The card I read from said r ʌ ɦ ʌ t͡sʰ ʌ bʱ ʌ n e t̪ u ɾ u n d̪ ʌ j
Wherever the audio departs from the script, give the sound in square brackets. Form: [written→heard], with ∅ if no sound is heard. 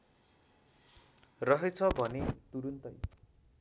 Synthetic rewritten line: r ʌ ɦ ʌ t͡sʰ ʌ bʱ ʌ n e t̪ u ɾ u n [d̪→t̪] ʌ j

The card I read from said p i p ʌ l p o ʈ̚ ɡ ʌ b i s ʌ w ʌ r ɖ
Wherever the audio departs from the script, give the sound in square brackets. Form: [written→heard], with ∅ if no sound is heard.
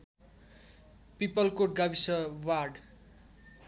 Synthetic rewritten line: p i p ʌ l [p→k] o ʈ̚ ɡ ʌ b i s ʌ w [ʌ→a] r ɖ

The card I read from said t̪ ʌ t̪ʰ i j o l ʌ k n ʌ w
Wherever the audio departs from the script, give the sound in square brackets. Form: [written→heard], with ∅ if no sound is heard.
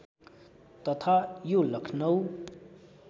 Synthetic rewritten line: t̪ ʌ t̪ʰ [i→a] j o l ʌ [k→kʰ] n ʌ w

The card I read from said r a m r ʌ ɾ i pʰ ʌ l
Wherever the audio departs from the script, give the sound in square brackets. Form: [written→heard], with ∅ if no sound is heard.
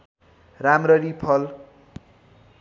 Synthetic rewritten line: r a m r ʌ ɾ i pʰ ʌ l

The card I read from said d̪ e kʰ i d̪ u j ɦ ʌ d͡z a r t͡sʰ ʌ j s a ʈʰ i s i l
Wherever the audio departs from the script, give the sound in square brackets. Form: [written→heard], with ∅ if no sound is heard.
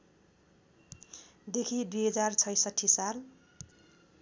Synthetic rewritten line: d̪ e kʰ i d̪ u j ɦ ʌ d͡z a r t͡sʰ ʌ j s [a→ʌ] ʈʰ i s [i→a] l

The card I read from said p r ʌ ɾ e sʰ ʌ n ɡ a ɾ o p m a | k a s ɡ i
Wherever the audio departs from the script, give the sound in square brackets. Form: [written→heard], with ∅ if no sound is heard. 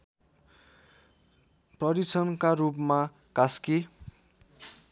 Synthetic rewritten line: p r ʌ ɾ [e→i] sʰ ʌ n [ɡ→k] a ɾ [o→u] p m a | k a s [ɡ→k] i

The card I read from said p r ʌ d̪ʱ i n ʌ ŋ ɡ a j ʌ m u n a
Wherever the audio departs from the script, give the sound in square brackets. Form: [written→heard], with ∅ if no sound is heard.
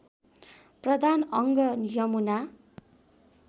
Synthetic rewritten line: p r ʌ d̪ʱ [i→a] n ʌ ŋ ɡ [a→ʌ] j ʌ m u n a

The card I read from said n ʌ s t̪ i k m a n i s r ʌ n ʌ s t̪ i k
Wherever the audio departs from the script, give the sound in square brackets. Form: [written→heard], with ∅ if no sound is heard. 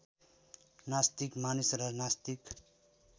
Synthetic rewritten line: n [ʌ→a] s t̪ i k m a n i s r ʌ n [ʌ→a] s t̪ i k

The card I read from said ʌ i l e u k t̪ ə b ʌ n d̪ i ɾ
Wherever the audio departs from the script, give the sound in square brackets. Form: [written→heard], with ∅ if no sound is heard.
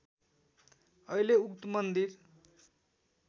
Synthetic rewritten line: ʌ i l e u k t̪ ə [b→m] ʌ n d̪ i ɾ

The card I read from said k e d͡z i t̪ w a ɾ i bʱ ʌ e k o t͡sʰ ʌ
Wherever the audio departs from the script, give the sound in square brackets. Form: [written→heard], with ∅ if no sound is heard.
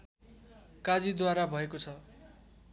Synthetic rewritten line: k [e→a] d͡z i [t̪→d̪] w a ɾ [i→a] bʱ ʌ e k o t͡sʰ ʌ

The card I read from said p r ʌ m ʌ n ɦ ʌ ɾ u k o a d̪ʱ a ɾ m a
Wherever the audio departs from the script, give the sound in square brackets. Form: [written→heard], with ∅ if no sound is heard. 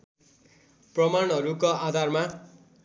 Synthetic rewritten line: p r ʌ m [ʌ→a] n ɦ ʌ ɾ u k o a d̪ʱ a [ɾ→r] m a

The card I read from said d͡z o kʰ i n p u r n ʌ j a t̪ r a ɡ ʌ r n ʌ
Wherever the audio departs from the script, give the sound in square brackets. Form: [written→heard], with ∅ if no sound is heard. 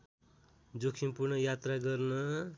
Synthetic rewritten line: d͡z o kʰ i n p u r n ʌ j a t̪ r a ɡ ʌ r n ʌ

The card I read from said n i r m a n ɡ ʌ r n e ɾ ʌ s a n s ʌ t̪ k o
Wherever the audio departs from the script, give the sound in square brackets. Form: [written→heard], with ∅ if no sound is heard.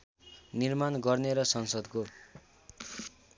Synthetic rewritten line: n i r m a n ɡ ʌ r n e ɾ ʌ s [a→ʌ] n s ʌ [t̪→d̪] k o

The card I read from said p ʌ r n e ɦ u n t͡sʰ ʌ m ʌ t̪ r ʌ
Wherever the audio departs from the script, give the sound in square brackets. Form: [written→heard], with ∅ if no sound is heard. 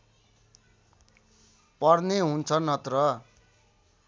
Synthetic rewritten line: p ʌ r n e ɦ u n t͡sʰ ʌ [m→n] ʌ t̪ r ʌ

